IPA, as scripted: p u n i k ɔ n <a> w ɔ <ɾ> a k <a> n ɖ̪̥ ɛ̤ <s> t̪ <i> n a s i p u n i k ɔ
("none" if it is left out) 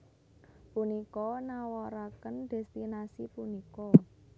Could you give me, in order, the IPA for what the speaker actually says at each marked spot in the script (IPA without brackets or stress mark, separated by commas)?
a, ɾ, ə, s, i